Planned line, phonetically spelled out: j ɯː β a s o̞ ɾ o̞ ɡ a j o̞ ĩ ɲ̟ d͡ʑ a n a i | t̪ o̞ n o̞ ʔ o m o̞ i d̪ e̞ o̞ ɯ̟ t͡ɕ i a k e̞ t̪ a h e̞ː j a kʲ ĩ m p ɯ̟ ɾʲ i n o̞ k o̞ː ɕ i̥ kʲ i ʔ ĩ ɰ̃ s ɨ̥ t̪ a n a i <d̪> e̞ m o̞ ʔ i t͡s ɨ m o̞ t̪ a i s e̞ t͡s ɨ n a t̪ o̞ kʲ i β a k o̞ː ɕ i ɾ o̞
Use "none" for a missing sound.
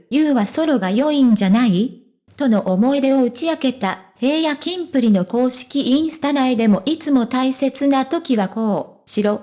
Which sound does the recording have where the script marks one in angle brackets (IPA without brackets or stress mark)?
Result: d̪